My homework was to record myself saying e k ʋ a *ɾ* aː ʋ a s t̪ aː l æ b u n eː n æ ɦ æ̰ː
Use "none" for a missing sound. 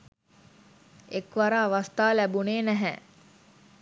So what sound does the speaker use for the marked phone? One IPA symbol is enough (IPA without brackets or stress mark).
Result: ɾ